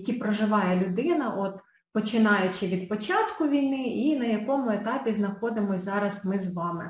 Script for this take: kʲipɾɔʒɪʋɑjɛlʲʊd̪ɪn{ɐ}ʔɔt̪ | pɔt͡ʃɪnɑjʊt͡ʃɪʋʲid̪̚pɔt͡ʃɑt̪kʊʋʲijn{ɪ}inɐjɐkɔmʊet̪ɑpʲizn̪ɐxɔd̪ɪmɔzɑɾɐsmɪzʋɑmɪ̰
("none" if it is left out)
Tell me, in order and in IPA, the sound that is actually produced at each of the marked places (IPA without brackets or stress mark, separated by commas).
ɐ, ɪ